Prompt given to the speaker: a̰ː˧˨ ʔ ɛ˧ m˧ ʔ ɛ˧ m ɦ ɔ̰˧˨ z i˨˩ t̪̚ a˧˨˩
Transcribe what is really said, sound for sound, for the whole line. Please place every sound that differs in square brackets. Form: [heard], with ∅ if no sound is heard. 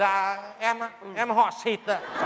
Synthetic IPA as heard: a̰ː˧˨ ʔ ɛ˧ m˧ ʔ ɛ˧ m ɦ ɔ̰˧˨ [s] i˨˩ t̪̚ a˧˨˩